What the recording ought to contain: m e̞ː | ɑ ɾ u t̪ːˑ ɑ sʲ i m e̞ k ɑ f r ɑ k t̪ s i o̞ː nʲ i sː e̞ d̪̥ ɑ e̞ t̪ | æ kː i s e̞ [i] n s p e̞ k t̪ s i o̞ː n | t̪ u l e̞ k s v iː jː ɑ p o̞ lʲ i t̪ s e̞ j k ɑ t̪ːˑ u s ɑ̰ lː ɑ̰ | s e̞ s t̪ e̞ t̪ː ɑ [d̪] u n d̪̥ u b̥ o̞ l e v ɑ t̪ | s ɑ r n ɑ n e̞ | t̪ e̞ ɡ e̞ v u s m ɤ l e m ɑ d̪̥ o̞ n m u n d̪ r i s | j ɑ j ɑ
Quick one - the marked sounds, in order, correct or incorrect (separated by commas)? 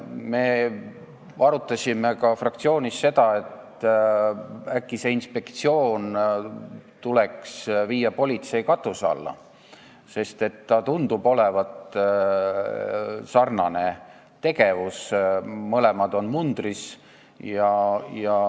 correct, incorrect